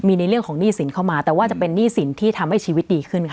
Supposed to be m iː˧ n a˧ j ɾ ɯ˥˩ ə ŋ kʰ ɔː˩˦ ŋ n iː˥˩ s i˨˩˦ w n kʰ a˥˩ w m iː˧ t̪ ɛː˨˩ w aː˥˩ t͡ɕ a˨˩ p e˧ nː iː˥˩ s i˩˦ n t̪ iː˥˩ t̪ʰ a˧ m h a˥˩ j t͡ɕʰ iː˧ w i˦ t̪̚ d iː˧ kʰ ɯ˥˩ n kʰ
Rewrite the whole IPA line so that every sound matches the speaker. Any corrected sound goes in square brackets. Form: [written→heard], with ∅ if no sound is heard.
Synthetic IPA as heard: m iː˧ n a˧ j ɾ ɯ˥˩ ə ŋ kʰ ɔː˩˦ ŋ n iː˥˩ s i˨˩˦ [w→∅] n kʰ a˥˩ w m [iː˧→aː˧] t̪ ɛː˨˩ w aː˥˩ t͡ɕ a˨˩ p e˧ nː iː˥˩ s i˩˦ n [t̪→t̪ʰ] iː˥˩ t̪ʰ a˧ m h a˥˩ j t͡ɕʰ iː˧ w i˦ t̪̚ d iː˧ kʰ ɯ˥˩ n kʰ